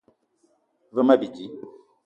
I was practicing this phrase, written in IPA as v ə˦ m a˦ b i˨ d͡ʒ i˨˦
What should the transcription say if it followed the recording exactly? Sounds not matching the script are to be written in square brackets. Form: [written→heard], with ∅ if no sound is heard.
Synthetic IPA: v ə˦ m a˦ b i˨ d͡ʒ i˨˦